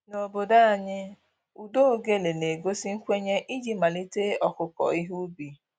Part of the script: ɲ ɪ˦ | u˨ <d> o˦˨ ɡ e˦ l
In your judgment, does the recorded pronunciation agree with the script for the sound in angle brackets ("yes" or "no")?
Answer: yes